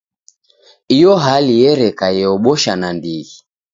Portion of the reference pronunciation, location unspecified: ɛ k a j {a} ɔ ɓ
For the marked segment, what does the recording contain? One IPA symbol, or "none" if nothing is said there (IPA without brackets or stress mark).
ɛ